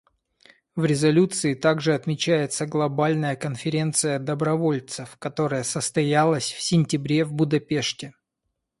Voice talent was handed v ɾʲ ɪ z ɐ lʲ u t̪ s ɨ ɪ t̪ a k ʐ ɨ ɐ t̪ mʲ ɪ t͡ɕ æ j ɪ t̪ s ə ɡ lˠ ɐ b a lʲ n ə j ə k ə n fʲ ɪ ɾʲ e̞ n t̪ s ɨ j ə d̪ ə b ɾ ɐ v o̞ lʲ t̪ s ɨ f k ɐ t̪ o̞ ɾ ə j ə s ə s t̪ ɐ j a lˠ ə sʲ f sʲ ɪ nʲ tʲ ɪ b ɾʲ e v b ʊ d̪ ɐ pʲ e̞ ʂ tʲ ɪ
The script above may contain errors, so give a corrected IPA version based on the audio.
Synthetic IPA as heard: v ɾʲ ɪ z ɐ lʲ u t̪ s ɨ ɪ t̪ a ɡ ʐ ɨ ɐ t̪ mʲ ɪ t͡ɕ æ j ɪ t̪ s ə ɡ lˠ ɐ b a lʲ n ə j ə k ə n fʲ ɪ ɾʲ e̞ n t̪ s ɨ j ə d̪ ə b ɾ ɐ v o̞ lʲ t̪ s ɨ f k ɐ t̪ o̞ ɾ ə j ə s ə s t̪ ɐ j a lˠ ə sʲ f sʲ ɪ nʲ tʲ ɪ b ɾʲ e v b ʊ d̪ ɐ pʲ e̞ ʂ tʲ ɪ